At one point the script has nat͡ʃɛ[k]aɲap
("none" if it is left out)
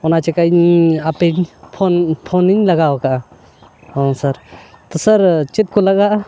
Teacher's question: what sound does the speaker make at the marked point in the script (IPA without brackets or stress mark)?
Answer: k